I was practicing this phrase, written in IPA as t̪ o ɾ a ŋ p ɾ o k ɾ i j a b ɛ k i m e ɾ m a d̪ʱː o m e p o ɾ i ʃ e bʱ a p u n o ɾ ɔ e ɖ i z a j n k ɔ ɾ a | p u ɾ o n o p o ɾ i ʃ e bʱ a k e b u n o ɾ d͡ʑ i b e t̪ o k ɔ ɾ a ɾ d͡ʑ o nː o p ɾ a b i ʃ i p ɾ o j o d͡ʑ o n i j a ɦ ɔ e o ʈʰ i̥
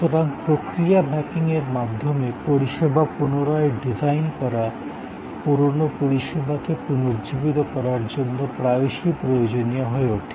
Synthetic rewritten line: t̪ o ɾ a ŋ p ɾ o k ɾ i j a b ɛ k i ŋ e ɾ m a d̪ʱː o m e p o ɾ i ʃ e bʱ a p u n o ɾ ɔ e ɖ i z a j n k ɔ ɾ a | p u ɾ o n o p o ɾ i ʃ e bʱ a k e p u n o ɾ d͡ʑ i b i t̪ o k ɔ ɾ a ɾ d͡ʑ o nː o p ɾ a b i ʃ i p ɾ o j o d͡ʑ o n i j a ɦ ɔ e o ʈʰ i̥